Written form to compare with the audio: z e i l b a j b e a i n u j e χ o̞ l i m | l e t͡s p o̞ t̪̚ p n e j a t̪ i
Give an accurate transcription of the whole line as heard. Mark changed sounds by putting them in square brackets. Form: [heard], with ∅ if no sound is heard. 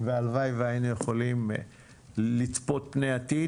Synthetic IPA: [v] e [a] l [v] a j [v] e a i n u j e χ o̞ l i m | l [i] t͡s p o̞ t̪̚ p n e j a t̪ i